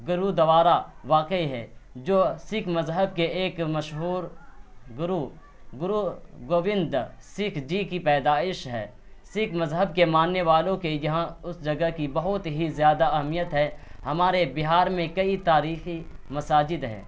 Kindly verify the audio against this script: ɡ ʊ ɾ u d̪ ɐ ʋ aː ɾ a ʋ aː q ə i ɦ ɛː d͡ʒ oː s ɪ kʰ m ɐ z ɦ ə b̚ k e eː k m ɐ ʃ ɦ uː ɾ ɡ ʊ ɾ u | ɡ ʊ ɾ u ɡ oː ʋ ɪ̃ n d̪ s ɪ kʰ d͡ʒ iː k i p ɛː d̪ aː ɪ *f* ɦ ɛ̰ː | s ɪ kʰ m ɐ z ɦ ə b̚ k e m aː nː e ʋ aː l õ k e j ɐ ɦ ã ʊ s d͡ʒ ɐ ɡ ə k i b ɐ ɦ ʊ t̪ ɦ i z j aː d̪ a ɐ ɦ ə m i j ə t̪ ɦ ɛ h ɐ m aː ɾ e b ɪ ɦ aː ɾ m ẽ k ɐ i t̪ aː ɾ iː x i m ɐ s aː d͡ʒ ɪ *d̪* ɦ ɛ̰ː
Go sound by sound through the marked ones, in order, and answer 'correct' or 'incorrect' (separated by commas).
incorrect, correct